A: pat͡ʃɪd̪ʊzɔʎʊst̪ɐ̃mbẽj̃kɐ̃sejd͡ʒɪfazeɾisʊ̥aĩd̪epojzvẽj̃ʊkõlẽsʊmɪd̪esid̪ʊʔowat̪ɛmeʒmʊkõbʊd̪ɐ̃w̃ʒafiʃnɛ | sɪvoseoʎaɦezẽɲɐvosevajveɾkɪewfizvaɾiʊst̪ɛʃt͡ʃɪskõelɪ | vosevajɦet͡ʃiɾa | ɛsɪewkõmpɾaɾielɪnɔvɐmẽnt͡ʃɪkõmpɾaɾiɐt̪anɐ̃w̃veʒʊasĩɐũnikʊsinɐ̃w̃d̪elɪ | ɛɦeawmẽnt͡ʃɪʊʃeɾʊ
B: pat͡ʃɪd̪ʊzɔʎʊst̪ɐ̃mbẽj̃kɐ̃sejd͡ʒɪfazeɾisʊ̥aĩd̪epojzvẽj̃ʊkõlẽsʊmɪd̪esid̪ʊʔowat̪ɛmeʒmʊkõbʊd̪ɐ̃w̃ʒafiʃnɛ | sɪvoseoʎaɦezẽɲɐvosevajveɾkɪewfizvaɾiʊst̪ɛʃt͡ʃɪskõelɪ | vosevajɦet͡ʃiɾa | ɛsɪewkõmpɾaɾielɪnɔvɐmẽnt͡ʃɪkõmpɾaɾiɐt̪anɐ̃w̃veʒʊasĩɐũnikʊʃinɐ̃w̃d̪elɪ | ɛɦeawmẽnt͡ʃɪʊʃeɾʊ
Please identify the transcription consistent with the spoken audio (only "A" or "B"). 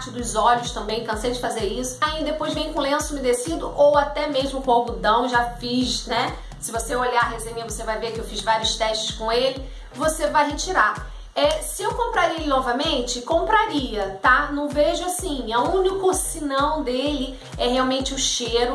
A